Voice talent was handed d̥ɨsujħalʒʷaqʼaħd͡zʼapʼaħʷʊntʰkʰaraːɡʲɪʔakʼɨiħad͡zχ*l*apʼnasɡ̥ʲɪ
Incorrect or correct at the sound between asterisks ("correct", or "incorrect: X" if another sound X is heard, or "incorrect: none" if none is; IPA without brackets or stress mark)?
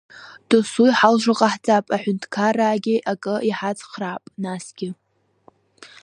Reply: incorrect: r